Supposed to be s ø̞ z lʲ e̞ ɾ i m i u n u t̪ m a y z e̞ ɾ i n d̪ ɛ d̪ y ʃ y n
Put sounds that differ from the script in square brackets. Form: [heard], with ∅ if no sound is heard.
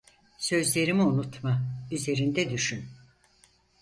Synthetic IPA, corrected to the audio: s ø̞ z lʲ e̞ ɾ i m i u n u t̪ m a y z e̞ ɾ i n d̪ ɛ d̪ y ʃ y n